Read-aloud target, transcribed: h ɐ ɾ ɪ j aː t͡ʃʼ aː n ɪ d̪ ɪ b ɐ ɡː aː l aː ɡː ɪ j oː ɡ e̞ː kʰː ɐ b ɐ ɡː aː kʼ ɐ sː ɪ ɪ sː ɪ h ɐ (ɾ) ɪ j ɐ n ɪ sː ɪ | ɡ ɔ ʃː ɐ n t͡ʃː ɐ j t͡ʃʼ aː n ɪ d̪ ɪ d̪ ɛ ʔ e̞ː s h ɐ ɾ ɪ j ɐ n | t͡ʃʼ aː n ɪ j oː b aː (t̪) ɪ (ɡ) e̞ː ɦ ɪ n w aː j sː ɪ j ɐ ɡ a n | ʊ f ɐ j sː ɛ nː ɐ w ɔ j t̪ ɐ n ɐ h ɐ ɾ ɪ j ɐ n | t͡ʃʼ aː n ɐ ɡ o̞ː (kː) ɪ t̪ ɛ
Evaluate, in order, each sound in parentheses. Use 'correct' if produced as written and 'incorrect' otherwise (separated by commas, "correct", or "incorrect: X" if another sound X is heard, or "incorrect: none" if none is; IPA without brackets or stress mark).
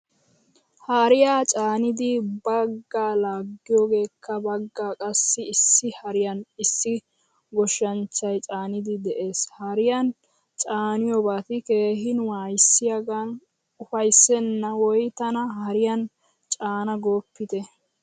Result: correct, correct, incorrect: k, incorrect: pː